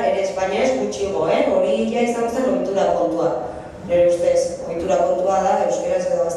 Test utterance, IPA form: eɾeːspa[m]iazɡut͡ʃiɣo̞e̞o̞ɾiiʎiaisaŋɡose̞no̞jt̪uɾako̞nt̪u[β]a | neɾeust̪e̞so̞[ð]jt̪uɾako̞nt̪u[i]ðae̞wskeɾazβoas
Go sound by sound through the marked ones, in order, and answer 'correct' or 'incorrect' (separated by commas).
incorrect, incorrect, incorrect, incorrect